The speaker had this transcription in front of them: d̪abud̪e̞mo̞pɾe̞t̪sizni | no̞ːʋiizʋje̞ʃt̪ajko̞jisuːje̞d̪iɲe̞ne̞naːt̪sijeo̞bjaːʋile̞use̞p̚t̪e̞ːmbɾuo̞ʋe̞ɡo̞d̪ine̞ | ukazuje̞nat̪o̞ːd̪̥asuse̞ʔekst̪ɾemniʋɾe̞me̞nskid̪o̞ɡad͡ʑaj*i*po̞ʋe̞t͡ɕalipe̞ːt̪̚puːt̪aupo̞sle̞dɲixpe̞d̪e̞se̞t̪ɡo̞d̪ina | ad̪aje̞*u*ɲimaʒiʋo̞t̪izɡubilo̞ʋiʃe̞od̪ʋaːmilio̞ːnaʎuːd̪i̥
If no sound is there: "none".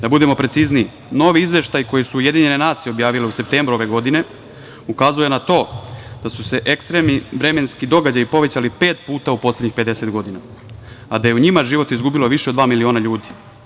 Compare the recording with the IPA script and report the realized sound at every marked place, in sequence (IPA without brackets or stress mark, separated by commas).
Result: i, u